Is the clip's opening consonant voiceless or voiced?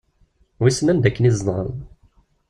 voiced